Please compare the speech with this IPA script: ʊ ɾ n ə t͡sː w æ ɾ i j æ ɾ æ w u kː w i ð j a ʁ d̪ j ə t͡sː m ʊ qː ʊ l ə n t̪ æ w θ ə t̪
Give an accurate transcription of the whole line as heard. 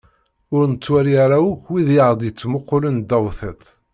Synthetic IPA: ʊ ɾ n ə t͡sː w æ ɾ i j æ ɾ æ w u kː w i ð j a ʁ d̪ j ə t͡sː m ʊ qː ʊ l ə n d̪ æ w θ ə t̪